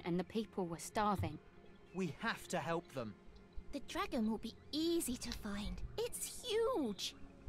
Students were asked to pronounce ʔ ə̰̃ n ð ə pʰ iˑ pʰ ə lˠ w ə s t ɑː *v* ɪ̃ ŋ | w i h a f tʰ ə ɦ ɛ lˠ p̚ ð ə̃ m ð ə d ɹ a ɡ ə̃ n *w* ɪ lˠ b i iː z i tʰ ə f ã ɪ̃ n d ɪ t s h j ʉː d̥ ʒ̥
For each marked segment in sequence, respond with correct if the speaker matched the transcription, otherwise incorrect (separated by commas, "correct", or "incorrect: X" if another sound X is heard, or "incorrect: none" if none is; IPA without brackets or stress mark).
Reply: correct, correct